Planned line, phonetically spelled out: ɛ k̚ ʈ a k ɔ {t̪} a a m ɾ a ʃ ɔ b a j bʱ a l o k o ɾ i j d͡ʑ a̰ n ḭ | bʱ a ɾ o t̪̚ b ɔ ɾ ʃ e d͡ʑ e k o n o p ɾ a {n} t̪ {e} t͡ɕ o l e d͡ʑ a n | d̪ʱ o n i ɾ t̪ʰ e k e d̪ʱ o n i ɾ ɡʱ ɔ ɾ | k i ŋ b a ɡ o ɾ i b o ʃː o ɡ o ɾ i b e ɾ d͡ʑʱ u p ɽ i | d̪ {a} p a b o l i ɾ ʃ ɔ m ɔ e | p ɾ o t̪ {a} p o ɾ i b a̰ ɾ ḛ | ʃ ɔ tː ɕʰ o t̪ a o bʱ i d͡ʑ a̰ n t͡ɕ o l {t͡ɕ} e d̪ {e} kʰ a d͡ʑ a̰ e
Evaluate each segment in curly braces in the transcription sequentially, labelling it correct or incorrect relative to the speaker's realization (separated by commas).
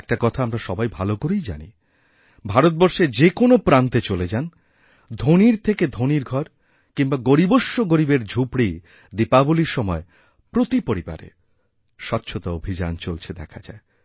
incorrect, correct, correct, incorrect, incorrect, incorrect, incorrect